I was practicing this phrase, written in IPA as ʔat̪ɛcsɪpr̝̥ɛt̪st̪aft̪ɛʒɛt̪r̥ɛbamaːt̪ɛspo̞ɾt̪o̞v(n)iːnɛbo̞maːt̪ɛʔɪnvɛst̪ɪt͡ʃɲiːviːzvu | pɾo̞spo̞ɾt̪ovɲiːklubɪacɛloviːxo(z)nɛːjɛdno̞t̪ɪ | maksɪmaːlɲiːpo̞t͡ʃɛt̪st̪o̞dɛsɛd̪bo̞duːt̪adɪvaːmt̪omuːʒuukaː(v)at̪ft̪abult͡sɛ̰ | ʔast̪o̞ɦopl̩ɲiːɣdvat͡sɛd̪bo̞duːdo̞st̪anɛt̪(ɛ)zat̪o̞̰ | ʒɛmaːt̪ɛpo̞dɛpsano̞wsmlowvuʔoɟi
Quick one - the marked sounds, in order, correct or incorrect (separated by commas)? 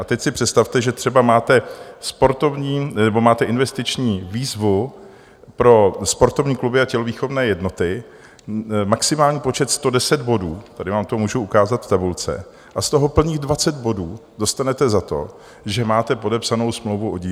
incorrect, incorrect, incorrect, correct